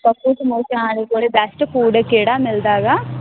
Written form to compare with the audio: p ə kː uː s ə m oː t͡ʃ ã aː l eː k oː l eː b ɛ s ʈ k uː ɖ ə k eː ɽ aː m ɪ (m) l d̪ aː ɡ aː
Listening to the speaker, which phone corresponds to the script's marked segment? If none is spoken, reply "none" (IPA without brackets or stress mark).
none